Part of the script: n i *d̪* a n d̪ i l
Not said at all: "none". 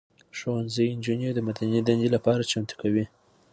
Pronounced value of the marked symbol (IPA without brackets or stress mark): d̪